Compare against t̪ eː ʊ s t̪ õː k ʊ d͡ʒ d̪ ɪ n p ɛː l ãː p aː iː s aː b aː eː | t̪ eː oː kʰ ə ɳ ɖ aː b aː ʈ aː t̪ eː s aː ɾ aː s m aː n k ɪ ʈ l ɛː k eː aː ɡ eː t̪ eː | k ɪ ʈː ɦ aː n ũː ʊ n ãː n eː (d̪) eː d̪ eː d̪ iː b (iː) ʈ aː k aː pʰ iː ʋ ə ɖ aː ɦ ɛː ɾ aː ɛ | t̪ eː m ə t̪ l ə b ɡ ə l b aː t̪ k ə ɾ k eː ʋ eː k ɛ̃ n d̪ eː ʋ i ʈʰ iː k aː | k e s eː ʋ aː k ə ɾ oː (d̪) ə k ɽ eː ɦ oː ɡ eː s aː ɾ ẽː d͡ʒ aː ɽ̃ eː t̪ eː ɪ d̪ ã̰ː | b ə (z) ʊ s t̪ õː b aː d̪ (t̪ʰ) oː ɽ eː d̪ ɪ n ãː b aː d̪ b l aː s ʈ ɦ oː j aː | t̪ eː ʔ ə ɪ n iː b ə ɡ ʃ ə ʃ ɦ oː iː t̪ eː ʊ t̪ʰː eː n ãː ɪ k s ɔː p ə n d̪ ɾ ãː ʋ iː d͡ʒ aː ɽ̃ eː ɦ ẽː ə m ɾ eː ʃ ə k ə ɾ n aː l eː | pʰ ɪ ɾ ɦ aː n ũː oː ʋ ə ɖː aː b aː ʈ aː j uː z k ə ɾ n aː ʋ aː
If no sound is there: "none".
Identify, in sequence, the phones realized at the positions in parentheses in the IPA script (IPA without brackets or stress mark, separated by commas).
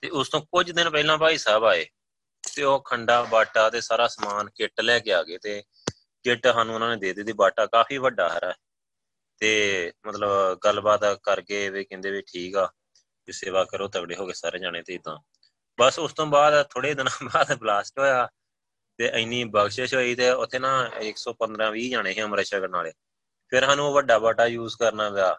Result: d̪, aː, t̪, s, t̪ʰ